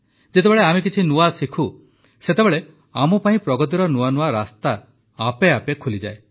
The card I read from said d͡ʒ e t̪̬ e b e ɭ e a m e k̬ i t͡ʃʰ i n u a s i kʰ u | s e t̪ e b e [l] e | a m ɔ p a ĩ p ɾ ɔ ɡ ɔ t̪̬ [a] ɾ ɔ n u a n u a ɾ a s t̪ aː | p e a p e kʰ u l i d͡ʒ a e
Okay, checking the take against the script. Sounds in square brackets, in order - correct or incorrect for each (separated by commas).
incorrect, incorrect